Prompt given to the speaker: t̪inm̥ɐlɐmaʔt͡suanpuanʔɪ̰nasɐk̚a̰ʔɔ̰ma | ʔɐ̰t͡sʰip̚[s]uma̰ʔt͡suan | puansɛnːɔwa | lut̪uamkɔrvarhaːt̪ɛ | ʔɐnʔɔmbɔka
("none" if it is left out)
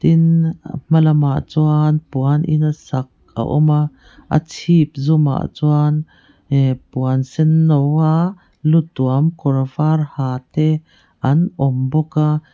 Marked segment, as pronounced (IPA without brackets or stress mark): z